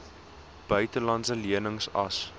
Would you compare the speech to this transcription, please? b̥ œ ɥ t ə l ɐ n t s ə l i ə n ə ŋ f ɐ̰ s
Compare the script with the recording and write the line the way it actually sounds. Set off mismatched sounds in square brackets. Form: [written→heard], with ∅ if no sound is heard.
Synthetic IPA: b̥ œ ɥ t ə l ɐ n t s ə l i ə n ə ŋ [f→s] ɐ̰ s